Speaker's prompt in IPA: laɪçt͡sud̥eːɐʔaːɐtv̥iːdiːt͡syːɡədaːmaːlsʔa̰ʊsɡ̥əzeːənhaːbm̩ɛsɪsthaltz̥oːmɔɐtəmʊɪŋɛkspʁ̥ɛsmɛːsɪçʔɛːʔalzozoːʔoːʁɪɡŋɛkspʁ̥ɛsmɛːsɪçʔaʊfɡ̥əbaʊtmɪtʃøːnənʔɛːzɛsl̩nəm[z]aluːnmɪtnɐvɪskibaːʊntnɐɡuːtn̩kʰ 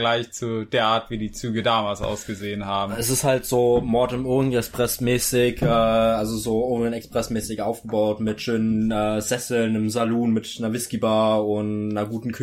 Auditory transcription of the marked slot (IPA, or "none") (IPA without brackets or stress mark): z